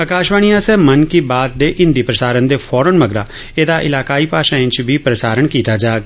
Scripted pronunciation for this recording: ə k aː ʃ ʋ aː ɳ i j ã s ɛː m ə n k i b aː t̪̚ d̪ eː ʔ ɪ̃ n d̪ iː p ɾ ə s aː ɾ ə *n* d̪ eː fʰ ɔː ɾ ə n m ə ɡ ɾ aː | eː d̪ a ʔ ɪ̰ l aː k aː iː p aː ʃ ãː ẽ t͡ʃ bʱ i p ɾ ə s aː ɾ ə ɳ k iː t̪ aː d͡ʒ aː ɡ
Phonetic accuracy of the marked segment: correct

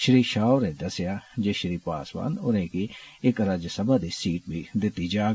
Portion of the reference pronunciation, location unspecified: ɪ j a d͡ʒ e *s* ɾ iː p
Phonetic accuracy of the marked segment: incorrect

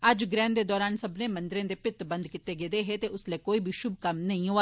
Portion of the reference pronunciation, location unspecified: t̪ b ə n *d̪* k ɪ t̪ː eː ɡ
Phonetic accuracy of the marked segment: correct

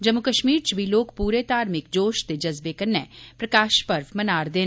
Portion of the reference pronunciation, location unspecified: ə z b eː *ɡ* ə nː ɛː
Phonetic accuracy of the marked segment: incorrect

